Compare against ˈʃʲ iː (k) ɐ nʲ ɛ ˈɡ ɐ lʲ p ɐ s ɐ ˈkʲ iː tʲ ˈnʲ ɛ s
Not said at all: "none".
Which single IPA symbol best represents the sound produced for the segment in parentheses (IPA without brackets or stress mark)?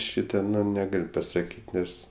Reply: t